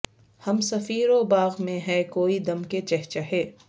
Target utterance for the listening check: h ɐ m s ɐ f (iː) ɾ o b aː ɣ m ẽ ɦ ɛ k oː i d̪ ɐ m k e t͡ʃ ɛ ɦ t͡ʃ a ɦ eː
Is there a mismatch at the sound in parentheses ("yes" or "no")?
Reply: no